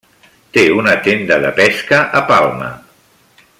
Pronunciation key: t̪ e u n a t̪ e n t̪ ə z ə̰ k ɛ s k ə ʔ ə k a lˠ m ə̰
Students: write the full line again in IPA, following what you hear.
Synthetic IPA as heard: t̪ e u n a t̪ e n d̪ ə ð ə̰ p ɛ s k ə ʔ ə p a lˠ m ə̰

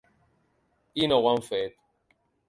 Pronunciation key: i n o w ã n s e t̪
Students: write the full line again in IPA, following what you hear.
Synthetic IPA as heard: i n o w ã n f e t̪

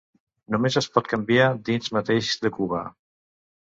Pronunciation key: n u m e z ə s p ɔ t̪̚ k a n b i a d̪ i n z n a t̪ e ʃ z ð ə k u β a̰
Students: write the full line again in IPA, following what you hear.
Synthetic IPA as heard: n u m e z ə s p ɔ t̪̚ k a m b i a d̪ i n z m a t̪ e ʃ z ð ə k u β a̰

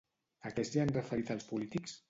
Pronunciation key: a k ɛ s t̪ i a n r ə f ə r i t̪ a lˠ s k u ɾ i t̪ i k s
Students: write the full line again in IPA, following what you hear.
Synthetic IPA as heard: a k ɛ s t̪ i a n r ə f ə ɾ i t̪ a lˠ s p u l i t̪ i k s

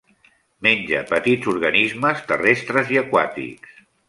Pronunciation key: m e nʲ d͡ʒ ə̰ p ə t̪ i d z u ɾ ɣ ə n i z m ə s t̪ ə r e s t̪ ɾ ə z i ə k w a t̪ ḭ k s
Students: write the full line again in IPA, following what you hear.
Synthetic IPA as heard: m e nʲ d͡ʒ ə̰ p ə t̪ i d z u ɾ ɣ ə n i z m ə s t̪ ə r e s t̪ ɾ ə z i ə k w a t̪ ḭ k s

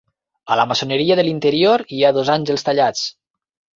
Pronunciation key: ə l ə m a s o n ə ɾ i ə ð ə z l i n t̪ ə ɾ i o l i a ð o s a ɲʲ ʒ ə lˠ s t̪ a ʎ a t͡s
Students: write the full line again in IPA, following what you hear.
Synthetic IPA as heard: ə l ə m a s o n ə ɾ i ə ð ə l i n t̪ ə ɾ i o ɾ i a ð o z a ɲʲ ʒ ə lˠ s t̪ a ʎ a t͡s

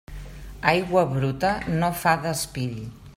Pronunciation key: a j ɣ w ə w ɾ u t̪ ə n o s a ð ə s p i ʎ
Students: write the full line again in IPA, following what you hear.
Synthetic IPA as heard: a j ɣ w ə β ɾ u t̪ ə n o f a ð ə s p i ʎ

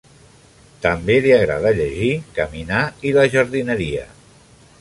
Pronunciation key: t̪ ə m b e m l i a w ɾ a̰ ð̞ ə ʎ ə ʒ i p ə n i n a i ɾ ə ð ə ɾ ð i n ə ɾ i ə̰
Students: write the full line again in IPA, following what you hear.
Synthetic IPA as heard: t̪ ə m b e l i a ɣ ɾ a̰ ð̞ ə ʎ ə ʒ i k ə m i n a i l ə ʒ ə ɾ ð i n ə ɾ i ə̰

